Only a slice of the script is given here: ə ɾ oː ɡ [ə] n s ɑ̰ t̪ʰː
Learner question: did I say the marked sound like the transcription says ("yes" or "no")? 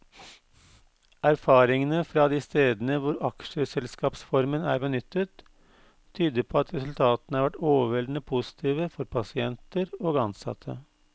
no